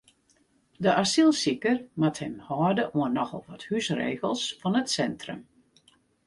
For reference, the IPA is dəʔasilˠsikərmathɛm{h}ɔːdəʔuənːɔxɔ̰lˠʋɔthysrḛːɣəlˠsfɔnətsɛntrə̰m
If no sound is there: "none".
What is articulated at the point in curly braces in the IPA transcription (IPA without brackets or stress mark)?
h